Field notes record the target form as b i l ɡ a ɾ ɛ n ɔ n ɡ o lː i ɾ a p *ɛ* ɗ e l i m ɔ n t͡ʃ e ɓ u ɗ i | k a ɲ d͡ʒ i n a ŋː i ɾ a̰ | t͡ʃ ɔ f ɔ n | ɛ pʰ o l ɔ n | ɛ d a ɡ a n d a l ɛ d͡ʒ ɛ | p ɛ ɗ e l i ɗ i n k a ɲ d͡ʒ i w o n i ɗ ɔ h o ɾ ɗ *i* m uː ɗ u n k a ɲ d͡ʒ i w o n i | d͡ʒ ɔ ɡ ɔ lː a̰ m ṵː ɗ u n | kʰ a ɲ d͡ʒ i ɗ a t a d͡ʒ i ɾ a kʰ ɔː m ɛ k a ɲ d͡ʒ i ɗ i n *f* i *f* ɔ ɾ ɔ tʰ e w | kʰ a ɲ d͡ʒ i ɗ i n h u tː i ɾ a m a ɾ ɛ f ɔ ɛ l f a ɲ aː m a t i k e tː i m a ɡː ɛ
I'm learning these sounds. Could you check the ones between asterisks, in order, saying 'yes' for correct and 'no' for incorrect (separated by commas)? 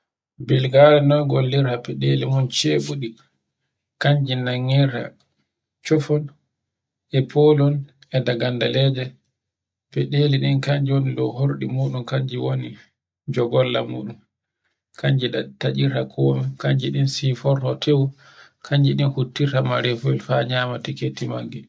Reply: yes, yes, no, yes